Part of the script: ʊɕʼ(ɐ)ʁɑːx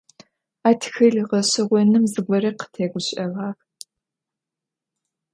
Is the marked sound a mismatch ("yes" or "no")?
no